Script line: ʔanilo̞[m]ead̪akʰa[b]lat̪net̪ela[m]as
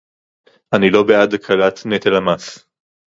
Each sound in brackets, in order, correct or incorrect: incorrect, incorrect, correct

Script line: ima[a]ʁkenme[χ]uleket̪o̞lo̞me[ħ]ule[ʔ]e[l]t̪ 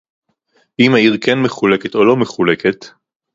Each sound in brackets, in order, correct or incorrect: incorrect, correct, incorrect, incorrect, incorrect

